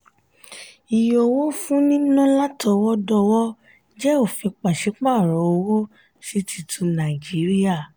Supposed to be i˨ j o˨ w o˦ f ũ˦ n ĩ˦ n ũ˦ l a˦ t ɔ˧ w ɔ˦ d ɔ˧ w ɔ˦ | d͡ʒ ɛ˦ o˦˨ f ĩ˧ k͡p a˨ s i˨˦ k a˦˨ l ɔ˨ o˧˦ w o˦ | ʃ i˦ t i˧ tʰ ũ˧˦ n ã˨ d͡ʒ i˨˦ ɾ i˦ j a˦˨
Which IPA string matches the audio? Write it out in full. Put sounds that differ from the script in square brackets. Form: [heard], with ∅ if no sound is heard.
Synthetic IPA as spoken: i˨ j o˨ w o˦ f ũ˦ n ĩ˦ n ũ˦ l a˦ t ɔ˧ w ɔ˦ d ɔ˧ w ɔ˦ | d͡ʒ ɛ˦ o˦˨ f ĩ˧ k͡p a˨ [ʃ] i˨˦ [k͡p] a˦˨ [ɾ] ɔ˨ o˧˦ w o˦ | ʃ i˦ t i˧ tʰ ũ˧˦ n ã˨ d͡ʒ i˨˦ ɾ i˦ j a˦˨